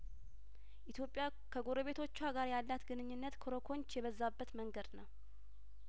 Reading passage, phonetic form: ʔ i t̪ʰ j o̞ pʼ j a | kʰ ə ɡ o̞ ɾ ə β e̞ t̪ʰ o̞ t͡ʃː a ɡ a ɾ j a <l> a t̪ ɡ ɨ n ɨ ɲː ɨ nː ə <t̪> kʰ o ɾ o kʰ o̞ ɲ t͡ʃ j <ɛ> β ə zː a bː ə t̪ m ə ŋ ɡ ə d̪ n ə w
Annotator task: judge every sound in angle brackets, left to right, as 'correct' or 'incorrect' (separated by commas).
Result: incorrect, correct, correct